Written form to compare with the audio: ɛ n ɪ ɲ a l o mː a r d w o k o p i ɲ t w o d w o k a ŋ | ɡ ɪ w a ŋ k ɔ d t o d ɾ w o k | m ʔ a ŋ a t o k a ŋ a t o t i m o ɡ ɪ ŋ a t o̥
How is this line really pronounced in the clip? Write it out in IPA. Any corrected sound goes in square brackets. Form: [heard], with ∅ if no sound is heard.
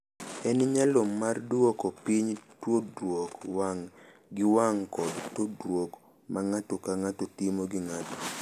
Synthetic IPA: ɛ n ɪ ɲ a l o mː a r d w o k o p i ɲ t w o d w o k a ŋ | ɡ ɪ w a ŋ k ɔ d t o d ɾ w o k | m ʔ a ŋ a t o k a ŋ a t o t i m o ɡ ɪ ŋ a t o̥